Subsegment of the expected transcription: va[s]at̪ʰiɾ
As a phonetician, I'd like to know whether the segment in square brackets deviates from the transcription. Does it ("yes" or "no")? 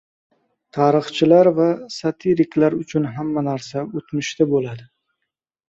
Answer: no